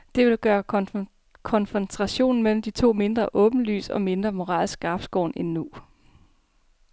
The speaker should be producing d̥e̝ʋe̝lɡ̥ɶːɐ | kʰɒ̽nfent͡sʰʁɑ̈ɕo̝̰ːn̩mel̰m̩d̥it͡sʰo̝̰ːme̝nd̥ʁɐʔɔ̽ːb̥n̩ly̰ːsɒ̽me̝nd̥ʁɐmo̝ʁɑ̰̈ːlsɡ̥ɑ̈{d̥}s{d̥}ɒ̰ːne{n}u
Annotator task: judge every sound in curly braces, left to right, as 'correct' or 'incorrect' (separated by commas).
incorrect, incorrect, incorrect